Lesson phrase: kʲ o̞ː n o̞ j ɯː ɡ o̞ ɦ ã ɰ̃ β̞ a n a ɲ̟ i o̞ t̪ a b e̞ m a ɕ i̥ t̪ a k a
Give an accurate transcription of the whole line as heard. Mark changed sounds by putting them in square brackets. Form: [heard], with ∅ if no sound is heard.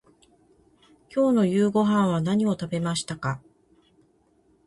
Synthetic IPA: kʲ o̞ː n o̞ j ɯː ɡ o̞ ɦ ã ɰ̃ β̞ a n a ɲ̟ i o̞ t̪ a b e̞ m a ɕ i̥ t̪ a k a